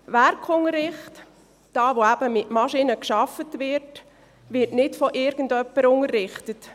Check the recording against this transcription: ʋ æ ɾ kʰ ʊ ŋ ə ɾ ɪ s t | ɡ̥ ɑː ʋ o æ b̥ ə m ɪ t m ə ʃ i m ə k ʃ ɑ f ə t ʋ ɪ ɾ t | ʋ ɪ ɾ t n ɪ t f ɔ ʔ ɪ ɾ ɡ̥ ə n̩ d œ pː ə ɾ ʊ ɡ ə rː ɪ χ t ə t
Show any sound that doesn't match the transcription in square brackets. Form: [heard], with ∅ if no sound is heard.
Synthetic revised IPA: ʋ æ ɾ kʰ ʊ ŋ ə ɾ ɪ [χ] t | [d̥] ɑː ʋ o æ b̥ ə m ɪ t m [ɑ] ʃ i [n] ə k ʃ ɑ f ə t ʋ ɪ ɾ t | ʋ ɪ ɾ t n ɪ t f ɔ ʔ ɪ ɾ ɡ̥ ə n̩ d œ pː ə ɾ ʊ [ŋ] ə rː ɪ χ t ə t